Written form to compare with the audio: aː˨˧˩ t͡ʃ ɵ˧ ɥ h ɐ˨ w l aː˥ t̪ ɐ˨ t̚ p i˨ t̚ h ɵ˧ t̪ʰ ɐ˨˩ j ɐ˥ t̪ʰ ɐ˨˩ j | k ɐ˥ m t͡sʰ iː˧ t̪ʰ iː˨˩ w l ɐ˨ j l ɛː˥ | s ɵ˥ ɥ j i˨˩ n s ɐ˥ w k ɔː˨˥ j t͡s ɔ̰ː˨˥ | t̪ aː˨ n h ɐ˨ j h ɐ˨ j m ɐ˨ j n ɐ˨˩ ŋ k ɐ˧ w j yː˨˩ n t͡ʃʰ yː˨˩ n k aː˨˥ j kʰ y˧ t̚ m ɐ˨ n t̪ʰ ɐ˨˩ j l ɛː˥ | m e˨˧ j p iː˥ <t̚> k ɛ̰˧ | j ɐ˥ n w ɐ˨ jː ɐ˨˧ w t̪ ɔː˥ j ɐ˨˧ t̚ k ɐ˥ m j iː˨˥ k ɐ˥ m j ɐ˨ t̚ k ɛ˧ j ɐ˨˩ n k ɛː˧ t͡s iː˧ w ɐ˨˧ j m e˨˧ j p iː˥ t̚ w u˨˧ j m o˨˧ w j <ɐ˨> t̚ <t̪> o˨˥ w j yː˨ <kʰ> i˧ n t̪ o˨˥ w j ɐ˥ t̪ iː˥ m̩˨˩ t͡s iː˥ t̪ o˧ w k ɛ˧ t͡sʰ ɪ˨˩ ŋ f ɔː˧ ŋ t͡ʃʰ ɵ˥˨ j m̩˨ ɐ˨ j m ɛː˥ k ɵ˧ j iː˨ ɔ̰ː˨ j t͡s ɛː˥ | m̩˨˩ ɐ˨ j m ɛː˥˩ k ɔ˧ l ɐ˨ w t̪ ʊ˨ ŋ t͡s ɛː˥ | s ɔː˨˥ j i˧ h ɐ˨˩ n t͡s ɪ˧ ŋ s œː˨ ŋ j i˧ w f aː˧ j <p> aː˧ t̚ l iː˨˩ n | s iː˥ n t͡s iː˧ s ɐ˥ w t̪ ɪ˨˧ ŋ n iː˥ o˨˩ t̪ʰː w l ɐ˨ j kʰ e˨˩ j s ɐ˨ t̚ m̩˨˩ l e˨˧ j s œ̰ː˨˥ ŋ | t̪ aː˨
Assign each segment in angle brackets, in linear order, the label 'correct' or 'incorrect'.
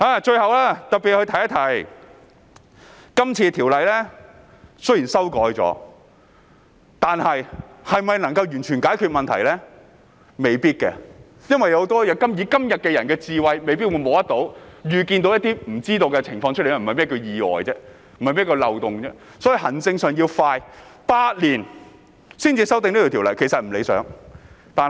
correct, incorrect, correct, incorrect, correct

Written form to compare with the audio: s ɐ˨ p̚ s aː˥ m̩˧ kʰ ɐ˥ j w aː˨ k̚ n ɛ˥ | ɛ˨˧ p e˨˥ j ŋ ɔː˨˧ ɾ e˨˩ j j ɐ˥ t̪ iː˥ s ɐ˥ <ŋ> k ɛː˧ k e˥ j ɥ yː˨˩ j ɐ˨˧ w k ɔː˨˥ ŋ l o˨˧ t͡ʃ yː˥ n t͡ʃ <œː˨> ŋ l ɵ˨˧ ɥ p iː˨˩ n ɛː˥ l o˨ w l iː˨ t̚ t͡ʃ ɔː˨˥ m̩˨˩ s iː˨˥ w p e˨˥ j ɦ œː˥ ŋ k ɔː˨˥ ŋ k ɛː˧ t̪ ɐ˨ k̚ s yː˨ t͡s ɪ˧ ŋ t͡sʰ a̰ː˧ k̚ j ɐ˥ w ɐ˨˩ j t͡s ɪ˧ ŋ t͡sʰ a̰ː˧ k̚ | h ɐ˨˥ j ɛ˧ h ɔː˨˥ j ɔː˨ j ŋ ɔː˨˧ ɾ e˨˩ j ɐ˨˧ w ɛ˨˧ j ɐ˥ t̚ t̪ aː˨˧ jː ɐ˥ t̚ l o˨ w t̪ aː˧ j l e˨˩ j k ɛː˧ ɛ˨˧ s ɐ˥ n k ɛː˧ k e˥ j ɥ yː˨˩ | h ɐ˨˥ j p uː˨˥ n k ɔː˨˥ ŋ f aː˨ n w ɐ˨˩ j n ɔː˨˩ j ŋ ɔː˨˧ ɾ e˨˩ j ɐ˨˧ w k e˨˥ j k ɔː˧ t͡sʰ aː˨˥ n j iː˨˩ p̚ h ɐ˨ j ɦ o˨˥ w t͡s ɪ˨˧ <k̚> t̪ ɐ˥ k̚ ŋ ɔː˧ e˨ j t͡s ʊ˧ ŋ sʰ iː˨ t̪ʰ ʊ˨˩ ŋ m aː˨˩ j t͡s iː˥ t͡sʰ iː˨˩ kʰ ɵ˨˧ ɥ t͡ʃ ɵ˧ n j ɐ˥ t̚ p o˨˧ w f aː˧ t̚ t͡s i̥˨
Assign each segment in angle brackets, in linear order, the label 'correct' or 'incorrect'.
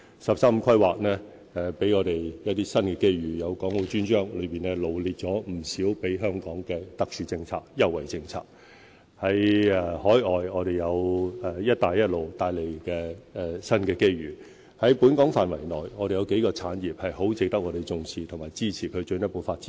incorrect, incorrect, correct

